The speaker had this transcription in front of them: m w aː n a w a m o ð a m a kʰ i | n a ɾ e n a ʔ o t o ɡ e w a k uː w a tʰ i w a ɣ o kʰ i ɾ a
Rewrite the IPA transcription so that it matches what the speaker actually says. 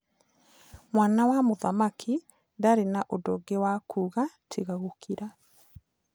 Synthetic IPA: m w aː n a w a m o ð a m a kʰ i | d a ɾ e n a ʔ o d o ɡ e w a k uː ɣ a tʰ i ɣ a ɣ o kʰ i ɾ a